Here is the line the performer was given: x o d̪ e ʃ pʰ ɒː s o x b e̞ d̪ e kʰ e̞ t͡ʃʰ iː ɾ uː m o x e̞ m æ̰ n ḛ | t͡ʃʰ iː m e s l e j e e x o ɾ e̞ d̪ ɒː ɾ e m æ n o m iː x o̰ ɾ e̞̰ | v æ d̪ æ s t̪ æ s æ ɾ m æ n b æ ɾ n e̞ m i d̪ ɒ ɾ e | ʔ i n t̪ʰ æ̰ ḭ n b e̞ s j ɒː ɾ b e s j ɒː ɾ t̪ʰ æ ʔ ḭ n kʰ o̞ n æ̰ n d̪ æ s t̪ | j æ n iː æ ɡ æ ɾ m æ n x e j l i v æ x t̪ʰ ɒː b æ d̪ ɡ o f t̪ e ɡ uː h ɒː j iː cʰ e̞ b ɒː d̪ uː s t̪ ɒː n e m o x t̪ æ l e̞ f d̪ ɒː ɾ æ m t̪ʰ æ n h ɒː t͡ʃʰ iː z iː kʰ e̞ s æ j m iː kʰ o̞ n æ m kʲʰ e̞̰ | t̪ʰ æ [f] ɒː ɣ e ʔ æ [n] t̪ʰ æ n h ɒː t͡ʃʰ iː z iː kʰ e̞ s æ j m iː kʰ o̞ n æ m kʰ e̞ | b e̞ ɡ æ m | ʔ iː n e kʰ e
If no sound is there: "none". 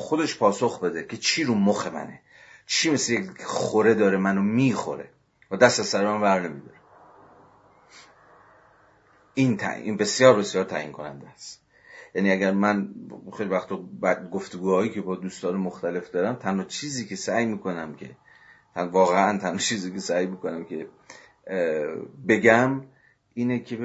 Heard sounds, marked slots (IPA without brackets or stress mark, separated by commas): v, n